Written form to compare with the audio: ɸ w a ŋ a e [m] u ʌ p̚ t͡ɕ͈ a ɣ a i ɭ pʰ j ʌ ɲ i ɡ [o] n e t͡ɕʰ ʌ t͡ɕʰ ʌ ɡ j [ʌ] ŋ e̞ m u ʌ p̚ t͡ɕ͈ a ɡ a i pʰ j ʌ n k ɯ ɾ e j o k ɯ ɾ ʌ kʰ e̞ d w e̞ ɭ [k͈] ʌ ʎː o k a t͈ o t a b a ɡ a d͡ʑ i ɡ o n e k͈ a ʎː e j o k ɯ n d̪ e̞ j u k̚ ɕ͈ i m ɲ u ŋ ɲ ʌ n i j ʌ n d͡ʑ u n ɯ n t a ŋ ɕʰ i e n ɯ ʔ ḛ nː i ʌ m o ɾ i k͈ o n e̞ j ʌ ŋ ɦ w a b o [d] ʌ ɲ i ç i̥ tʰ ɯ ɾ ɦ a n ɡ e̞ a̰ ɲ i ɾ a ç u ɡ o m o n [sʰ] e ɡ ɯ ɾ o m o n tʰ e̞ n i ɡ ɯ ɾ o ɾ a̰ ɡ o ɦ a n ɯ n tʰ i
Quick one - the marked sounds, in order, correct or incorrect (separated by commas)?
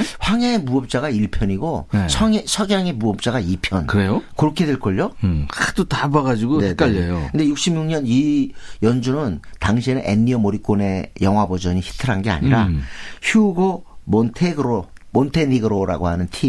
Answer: correct, correct, incorrect, correct, incorrect, incorrect